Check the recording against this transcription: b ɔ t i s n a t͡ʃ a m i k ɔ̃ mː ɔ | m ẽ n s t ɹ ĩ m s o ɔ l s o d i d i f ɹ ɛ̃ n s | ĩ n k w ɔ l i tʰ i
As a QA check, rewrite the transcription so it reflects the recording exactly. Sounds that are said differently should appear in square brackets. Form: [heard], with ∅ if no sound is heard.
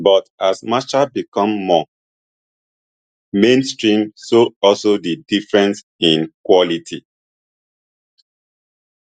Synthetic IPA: b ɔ t [a] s [m] a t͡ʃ a [b] i k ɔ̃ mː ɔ | m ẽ n s t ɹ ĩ m s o ɔ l s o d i d i f ɹ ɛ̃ n s | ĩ n k w ɔ l i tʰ i